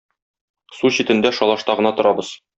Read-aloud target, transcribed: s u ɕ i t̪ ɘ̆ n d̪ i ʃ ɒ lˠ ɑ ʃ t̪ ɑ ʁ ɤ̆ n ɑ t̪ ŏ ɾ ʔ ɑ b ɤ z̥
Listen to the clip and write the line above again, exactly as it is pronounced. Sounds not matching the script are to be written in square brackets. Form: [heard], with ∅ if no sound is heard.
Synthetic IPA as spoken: s u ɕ i t̪ ɘ̆ n d̪ [æ] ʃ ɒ lˠ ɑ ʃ t̪ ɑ ʁ ɤ̆ n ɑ t̪ ŏ ɾ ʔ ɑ b ɤ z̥